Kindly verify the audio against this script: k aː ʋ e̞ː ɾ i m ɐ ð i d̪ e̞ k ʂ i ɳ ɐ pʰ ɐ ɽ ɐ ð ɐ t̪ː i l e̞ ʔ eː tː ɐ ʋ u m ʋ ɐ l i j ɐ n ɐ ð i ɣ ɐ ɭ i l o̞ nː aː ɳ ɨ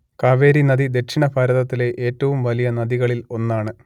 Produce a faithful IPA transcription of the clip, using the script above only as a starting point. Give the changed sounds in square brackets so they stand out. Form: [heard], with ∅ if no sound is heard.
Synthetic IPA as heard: k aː ʋ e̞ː ɾ i [n] ɐ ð i d̪ e̞ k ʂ i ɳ ɐ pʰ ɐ [ɾ] ɐ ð ɐ t̪ː i l e̞ ʔ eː tː ɐ ʋ u m ʋ ɐ l i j ɐ n ɐ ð i ɣ ɐ ɭ i l o̞ nː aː ɳ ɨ

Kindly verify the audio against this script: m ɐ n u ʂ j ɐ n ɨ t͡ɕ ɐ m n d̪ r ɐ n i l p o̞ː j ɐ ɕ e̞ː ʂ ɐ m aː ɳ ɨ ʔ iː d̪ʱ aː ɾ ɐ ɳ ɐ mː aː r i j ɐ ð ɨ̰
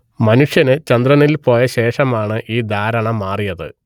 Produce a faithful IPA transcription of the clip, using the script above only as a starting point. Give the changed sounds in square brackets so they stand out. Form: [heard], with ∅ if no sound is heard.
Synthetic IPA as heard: m ɐ n u ʂ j ɐ n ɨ t͡ɕ ɐ [∅] n d̪ r ɐ n i l p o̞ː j ɐ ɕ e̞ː ʂ ɐ m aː ɳ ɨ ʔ iː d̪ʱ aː ɾ ɐ ɳ ɐ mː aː r i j ɐ ð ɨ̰

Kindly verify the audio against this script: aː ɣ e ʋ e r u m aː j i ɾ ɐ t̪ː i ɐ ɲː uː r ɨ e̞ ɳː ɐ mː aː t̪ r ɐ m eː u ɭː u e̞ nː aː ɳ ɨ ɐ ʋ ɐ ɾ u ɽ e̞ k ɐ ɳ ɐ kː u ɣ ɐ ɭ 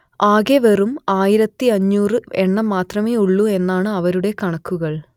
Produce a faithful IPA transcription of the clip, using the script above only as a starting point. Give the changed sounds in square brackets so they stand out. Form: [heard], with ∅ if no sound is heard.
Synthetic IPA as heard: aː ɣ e ʋ e r u m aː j i ɾ ɐ t̪ː i ɐ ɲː uː r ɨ e̞ ɳː ɐ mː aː t̪ r ɐ m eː u ɭː u e̞ nː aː ɳ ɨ ɐ ʋ ɐ ɾ u ɽ e̞ k ɐ ɳ ɐ kː u ɣ ɐ ɭ

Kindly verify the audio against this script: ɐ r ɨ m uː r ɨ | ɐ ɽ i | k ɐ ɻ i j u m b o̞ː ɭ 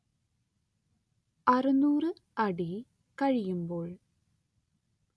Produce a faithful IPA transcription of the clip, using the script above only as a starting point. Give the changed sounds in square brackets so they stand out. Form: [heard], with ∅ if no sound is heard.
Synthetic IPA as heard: ɐ r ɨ [n] uː r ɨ | ɐ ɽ i | k ɐ ɻ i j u m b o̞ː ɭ

